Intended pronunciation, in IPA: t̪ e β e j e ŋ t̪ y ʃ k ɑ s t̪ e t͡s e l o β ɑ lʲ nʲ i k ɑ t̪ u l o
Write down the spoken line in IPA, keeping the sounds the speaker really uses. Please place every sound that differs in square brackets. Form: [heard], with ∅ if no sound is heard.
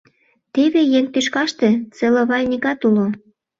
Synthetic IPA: t̪ e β e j e ŋ t̪ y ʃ k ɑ [ʃ] t̪ e t͡s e l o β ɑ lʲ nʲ i k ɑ t̪ u l o